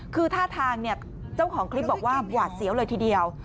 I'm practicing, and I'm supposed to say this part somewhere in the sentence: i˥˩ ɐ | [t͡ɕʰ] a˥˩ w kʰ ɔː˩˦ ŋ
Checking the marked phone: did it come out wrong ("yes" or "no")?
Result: yes